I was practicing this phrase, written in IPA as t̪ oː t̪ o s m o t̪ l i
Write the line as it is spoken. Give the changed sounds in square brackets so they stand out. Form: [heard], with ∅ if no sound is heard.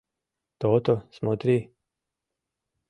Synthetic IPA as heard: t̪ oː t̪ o s m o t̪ [ɾ] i